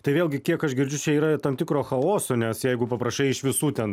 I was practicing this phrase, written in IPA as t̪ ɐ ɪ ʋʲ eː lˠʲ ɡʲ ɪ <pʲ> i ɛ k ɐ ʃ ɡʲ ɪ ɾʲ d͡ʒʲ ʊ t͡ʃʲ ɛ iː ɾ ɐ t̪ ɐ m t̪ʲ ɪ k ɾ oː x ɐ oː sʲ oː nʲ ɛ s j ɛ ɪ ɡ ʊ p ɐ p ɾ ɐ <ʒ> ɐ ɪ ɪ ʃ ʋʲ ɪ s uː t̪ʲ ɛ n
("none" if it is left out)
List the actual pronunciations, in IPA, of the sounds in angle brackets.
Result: kʲ, ʃ

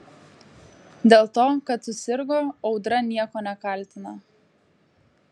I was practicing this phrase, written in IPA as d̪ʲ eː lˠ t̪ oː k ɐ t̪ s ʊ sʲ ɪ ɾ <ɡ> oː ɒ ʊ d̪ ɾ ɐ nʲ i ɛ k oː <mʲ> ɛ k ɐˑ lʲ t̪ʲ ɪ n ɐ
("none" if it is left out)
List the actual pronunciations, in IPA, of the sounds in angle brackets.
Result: ɡ, nʲ

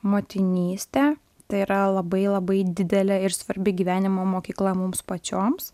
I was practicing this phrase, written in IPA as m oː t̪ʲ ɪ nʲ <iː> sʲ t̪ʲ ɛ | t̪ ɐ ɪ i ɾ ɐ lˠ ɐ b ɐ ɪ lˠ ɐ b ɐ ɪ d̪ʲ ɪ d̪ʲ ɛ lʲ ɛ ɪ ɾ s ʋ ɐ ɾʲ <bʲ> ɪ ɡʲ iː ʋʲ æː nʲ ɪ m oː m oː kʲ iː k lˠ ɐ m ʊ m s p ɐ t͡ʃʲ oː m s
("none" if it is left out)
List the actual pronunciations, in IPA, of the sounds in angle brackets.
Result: iː, bʲ

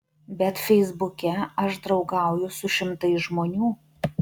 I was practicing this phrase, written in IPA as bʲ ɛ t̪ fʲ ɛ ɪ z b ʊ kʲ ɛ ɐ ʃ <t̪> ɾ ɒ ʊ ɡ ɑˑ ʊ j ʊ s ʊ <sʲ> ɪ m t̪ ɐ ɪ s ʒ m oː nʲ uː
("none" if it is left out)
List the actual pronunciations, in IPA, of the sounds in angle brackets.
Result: d̪, ʃʲ

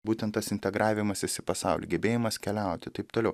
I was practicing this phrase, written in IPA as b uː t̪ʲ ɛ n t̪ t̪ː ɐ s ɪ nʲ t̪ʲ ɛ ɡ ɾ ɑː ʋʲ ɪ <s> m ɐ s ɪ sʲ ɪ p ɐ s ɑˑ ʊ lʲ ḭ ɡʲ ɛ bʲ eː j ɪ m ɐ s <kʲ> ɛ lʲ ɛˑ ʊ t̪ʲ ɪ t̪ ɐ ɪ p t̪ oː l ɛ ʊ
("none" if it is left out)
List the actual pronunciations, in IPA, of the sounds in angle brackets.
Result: none, kʲ

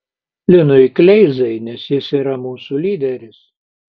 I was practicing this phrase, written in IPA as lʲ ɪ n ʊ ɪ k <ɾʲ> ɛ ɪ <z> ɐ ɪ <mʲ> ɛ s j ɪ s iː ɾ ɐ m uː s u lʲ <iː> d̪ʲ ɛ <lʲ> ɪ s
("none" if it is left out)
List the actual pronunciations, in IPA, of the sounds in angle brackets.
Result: lʲ, z, nʲ, iː, ɾʲ

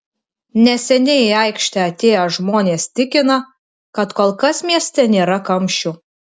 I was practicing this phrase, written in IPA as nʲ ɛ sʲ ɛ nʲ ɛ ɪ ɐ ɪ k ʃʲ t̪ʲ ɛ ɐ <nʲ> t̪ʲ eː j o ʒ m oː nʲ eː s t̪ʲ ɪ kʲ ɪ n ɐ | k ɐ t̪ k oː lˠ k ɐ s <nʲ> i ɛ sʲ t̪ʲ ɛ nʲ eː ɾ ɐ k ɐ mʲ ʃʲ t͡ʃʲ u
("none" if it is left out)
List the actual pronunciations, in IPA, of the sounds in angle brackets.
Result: none, mʲ

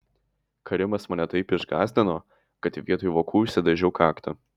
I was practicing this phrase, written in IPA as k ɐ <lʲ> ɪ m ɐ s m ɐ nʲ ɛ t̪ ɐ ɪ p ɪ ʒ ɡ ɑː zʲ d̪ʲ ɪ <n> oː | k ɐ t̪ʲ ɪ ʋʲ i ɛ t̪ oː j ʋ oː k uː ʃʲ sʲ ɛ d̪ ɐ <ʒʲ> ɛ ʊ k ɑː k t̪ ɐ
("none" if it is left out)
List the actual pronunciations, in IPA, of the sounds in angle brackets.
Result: ɾʲ, n, ʒʲ

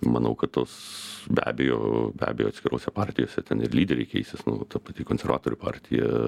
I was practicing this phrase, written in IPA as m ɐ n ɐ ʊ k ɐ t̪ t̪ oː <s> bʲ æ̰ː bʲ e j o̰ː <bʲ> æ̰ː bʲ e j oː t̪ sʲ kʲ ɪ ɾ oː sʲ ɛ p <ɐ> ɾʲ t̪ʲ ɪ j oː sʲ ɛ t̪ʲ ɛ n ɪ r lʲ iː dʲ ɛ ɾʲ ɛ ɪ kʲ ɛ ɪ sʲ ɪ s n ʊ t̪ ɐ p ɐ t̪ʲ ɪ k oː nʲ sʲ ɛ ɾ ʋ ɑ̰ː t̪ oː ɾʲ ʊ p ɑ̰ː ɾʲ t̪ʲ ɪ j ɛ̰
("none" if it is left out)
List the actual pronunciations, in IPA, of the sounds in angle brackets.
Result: s, bʲ, ɑ

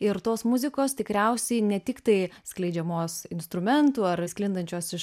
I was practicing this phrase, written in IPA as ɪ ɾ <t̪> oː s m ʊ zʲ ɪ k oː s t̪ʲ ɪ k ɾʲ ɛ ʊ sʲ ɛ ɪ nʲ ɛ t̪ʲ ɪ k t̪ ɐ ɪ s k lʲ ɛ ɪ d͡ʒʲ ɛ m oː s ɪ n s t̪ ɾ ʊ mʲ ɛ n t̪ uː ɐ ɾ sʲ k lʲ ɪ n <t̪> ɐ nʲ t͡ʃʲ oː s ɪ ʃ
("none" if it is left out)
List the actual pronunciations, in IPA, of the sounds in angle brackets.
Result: t̪, d̪

